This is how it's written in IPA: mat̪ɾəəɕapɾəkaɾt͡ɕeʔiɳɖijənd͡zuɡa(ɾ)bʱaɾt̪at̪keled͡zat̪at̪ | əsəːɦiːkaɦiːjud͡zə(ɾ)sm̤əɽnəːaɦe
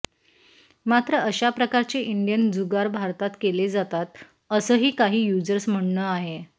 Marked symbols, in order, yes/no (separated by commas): yes, yes